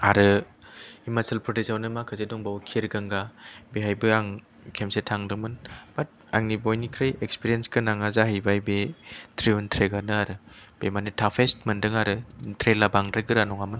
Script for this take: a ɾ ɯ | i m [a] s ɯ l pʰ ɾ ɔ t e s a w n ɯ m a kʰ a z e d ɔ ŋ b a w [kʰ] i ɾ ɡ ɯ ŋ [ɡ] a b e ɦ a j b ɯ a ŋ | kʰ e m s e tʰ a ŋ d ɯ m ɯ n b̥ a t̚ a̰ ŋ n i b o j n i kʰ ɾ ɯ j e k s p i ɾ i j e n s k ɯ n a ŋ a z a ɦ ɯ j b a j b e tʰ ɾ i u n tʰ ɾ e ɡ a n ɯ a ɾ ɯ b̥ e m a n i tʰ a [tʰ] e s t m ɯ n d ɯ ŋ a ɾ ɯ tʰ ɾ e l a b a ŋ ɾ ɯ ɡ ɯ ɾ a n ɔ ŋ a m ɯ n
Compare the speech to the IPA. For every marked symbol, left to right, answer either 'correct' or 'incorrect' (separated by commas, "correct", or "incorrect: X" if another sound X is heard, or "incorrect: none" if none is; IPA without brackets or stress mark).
correct, correct, correct, incorrect: pʰ